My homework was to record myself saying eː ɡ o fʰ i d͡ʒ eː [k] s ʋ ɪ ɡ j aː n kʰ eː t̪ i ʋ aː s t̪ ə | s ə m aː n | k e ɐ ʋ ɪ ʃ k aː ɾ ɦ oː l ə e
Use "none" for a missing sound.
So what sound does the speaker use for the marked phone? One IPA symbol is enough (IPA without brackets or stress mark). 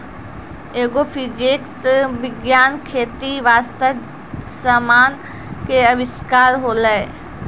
k